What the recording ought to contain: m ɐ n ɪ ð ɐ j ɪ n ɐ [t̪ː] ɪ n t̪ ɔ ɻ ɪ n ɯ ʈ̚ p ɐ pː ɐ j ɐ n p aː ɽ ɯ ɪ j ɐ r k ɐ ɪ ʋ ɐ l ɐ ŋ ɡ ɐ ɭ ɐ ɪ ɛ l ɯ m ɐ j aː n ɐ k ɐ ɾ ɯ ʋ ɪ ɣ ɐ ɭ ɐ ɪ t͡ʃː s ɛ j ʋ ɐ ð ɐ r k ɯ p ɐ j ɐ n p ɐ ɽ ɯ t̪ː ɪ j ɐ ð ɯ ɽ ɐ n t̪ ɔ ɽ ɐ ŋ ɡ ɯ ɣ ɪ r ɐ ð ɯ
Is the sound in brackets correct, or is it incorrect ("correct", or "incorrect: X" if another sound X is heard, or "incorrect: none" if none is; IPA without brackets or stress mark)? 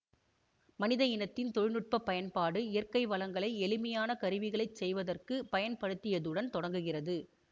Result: correct